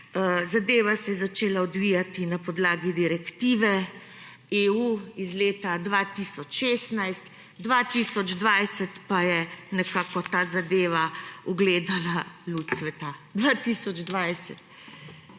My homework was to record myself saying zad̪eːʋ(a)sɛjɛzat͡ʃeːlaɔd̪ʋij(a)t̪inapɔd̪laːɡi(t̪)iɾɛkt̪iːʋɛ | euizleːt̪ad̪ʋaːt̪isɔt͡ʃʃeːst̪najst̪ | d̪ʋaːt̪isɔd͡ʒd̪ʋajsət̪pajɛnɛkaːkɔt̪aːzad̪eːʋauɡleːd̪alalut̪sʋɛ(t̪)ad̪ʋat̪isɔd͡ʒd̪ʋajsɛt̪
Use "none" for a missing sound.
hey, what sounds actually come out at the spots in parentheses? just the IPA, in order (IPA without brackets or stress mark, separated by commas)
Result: a, a, d̪, t̪